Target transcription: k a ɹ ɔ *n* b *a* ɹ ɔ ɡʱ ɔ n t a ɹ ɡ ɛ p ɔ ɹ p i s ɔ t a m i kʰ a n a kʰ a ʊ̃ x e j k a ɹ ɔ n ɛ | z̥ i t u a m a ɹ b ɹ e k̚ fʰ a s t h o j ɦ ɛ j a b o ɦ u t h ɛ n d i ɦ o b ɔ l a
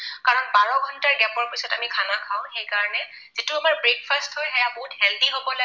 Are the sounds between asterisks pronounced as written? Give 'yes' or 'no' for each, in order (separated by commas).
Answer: yes, yes